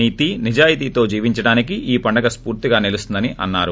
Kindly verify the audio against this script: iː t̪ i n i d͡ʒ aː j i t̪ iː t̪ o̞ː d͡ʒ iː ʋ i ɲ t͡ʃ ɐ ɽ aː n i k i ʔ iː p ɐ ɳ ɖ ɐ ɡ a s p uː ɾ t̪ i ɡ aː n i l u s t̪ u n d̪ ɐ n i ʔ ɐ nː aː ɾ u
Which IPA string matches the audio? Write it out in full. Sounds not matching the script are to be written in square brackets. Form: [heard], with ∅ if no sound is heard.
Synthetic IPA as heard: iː t̪ i n i d͡ʒ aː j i t̪ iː t̪ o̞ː d͡ʒ iː ʋ i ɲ t͡ʃ ɐ ɽ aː n i k i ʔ iː p ɐ ɳ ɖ ɐ ɡ [ɐ] s p uː ɾ t̪ i ɡ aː n i l u s t̪ u n d̪ ɐ n i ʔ ɐ nː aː ɾ u